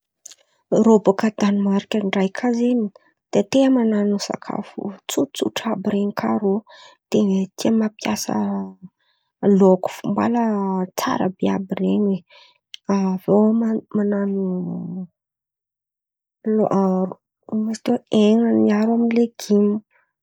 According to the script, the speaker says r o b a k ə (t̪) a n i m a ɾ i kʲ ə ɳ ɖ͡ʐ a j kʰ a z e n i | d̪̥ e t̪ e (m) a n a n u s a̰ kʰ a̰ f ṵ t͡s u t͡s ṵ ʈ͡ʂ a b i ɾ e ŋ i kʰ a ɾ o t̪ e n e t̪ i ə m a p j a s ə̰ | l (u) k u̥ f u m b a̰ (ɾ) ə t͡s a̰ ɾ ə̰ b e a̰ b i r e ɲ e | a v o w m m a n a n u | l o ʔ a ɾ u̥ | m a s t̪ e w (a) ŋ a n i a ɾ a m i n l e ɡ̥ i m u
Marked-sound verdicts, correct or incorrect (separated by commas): incorrect, correct, incorrect, incorrect, incorrect